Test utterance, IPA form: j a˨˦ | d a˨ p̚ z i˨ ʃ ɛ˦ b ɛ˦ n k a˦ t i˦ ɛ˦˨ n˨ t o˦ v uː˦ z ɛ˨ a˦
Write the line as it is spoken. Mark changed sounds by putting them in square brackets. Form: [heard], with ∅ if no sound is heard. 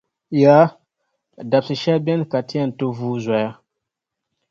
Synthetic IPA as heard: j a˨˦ | d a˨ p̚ [s] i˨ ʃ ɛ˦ b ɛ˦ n k [a˨] t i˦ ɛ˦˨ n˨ t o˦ v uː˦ z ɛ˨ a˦